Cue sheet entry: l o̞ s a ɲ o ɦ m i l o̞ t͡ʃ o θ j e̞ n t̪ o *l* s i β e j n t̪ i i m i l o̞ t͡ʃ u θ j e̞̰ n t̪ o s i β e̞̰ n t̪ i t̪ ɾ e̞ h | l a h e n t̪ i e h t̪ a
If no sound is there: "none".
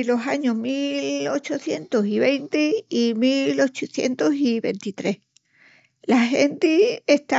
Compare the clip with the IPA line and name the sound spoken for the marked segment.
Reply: none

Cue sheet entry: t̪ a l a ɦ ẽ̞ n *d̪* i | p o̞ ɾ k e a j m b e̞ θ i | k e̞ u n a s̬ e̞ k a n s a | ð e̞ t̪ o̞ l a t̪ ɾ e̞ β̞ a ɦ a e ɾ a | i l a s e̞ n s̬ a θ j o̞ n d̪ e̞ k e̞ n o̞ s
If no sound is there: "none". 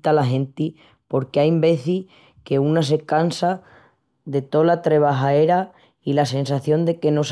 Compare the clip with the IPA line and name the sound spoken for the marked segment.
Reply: t̪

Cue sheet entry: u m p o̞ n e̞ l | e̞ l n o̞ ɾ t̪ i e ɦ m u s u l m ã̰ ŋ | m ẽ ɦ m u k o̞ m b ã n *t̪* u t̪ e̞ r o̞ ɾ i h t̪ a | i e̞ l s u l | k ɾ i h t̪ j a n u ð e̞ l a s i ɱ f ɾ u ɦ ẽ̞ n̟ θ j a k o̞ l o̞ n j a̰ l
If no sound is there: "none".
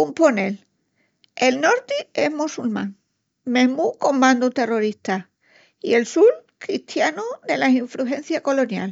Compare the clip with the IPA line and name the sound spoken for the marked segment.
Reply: d̪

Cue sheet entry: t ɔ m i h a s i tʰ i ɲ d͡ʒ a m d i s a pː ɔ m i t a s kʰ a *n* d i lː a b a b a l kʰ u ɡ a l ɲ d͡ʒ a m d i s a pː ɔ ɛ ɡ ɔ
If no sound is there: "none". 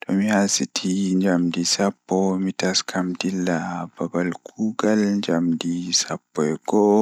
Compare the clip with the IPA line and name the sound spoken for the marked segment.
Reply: m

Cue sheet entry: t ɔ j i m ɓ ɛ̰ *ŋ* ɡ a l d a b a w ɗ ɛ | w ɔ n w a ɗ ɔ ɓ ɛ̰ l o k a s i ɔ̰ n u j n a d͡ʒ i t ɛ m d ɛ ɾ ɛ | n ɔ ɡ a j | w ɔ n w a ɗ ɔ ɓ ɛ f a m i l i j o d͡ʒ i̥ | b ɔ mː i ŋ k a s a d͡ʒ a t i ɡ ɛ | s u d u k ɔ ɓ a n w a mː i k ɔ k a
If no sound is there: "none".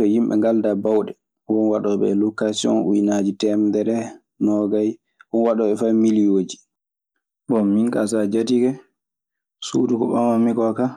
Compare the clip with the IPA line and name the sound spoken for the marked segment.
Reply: ŋ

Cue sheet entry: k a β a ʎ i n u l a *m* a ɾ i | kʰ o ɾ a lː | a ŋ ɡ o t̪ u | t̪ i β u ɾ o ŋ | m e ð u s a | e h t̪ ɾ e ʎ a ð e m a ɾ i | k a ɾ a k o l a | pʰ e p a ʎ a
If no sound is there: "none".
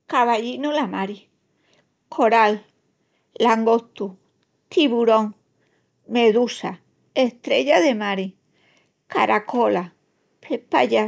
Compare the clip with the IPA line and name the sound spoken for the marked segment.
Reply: m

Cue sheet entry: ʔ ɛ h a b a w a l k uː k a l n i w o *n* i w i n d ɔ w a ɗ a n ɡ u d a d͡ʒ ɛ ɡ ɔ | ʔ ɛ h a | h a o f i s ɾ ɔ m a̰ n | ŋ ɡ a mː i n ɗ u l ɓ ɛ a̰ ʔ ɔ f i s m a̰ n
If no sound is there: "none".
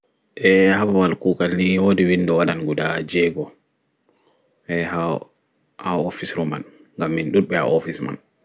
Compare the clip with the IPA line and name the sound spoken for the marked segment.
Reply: d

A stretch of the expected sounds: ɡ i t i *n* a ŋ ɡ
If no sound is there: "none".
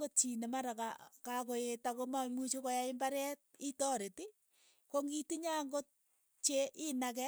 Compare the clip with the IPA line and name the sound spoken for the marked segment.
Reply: ɲ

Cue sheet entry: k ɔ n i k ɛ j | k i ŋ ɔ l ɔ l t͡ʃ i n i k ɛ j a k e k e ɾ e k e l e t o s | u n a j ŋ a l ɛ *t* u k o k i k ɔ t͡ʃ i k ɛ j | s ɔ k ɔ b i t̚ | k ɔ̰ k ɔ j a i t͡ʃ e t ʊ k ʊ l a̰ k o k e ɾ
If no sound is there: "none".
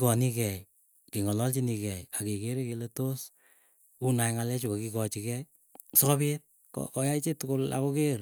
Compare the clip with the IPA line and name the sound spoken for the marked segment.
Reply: t͡ʃ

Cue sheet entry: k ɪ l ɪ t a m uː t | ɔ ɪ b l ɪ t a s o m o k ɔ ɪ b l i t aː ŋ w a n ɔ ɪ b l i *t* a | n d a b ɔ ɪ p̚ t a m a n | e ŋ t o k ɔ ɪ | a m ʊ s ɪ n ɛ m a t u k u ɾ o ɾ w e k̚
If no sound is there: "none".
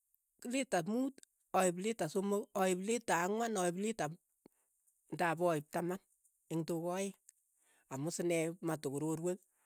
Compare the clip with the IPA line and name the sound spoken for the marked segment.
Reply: t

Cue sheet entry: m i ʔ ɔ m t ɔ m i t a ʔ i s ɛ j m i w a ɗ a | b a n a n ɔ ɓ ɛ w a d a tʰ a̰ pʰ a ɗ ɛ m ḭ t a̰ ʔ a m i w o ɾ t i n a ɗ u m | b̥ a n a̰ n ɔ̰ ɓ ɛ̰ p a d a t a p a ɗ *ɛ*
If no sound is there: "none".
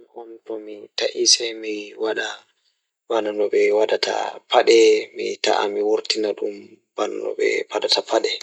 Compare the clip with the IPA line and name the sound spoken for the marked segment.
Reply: ɛ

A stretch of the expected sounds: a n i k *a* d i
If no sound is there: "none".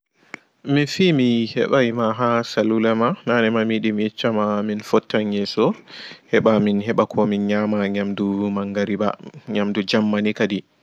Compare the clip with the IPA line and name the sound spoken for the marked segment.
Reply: a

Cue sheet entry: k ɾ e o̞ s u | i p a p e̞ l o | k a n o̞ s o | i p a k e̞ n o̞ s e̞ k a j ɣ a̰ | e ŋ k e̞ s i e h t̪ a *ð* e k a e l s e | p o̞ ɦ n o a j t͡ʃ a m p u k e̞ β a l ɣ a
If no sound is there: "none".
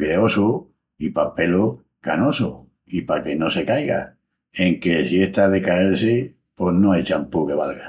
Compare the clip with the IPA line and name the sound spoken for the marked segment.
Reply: ð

